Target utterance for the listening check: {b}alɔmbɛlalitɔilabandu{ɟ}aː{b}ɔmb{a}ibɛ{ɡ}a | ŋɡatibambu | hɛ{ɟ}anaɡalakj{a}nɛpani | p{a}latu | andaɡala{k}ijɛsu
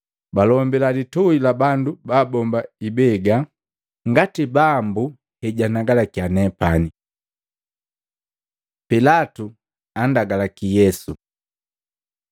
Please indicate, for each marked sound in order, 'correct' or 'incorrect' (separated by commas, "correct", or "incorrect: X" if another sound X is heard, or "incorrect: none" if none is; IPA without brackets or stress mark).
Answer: correct, incorrect: b, correct, correct, correct, correct, correct, incorrect: i, correct